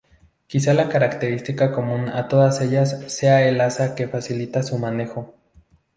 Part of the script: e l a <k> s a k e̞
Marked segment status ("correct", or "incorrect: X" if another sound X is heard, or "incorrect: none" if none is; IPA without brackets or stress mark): incorrect: none